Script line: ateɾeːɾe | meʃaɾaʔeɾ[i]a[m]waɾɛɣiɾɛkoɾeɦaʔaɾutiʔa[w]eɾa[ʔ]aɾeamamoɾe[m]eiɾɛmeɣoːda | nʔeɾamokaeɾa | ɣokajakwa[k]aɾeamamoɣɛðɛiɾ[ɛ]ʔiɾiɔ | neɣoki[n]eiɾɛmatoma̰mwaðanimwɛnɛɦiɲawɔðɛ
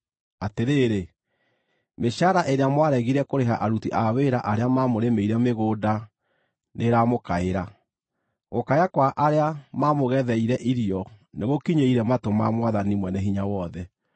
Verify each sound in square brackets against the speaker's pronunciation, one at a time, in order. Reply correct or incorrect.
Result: incorrect, correct, correct, correct, correct, incorrect, correct, incorrect

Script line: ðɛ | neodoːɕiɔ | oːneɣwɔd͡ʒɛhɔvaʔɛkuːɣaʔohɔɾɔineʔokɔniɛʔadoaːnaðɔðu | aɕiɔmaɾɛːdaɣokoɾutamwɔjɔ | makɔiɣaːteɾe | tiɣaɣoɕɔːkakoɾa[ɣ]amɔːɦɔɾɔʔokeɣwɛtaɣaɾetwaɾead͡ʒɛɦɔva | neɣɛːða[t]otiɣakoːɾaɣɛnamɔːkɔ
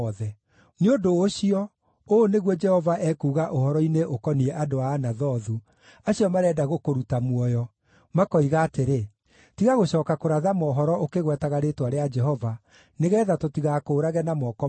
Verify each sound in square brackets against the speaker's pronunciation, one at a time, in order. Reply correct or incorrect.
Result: incorrect, correct

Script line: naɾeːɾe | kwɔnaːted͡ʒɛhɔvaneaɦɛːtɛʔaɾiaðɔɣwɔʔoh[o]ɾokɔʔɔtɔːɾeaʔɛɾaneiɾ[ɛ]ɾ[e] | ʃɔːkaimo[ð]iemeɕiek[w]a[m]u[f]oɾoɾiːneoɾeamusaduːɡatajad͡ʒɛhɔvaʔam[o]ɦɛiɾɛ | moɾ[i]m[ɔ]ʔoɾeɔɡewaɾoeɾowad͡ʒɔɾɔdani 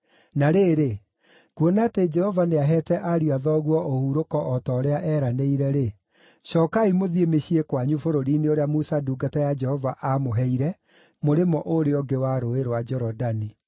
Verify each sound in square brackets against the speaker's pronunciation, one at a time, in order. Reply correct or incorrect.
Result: incorrect, correct, correct, correct, correct, incorrect, correct, correct, incorrect, correct

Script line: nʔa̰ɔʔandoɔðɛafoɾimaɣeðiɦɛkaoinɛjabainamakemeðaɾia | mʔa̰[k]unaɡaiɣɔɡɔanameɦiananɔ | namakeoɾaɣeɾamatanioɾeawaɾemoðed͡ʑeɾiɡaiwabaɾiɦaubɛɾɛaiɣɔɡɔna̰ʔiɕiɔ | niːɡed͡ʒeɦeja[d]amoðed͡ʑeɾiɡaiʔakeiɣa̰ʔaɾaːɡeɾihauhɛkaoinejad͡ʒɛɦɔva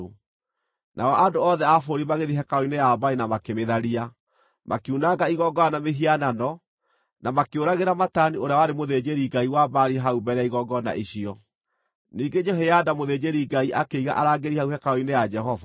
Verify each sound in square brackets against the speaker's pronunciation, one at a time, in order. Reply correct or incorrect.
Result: correct, correct

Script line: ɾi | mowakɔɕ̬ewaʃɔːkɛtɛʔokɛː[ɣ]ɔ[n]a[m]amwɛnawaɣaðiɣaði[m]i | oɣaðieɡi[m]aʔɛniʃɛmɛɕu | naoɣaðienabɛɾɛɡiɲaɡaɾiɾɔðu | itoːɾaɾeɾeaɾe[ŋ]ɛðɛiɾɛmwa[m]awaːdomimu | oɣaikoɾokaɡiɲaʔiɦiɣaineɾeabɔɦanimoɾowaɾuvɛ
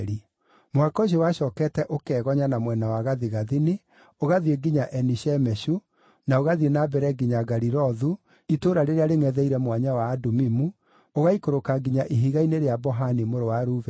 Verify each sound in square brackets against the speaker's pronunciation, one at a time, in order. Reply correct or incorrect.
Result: correct, incorrect, incorrect, incorrect, incorrect, correct, incorrect

